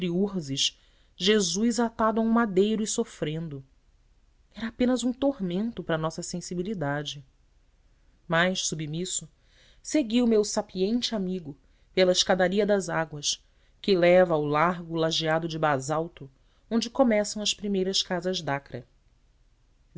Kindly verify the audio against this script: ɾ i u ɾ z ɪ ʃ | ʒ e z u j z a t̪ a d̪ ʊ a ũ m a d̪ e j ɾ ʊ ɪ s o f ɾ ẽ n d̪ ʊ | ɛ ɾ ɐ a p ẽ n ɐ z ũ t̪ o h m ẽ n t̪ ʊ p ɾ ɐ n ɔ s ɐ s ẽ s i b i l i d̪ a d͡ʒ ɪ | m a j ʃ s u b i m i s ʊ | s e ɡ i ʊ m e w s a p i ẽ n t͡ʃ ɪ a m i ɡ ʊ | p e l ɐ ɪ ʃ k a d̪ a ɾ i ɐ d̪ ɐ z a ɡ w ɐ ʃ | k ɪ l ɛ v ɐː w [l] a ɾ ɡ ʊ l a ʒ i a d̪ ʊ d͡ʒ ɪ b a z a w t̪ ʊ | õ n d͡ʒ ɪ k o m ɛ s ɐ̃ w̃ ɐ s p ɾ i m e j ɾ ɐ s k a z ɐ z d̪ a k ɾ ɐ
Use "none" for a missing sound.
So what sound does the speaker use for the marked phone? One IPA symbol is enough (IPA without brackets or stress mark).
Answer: l